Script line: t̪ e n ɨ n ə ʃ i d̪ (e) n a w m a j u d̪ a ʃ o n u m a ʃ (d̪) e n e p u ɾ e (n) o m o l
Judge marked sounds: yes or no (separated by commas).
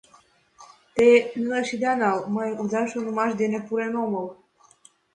no, yes, yes